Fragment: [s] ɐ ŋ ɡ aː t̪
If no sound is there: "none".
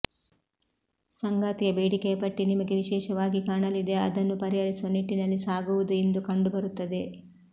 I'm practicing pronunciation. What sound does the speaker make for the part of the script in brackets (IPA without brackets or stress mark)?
s